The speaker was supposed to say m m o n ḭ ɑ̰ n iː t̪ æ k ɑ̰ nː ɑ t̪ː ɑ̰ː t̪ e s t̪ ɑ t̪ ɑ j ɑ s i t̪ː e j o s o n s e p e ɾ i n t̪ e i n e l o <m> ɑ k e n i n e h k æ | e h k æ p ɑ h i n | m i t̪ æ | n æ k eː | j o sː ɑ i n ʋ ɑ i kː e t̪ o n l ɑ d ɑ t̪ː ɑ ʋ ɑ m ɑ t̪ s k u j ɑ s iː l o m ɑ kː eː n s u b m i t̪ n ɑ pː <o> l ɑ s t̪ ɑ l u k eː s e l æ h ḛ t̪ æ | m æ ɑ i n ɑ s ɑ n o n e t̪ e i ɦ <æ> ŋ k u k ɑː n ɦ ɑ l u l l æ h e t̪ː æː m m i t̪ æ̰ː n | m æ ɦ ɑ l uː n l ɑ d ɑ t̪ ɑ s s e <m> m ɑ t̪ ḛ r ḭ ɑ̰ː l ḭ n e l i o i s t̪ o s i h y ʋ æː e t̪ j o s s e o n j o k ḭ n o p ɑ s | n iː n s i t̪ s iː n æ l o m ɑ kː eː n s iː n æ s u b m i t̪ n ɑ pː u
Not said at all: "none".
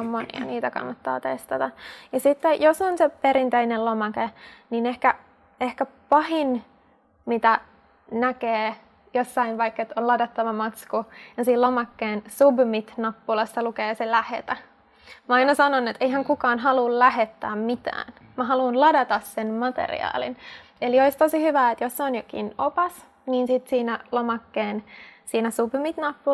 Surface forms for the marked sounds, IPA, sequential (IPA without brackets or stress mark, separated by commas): m, u, æ, n